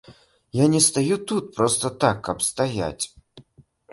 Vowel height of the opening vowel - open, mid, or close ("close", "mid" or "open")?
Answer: open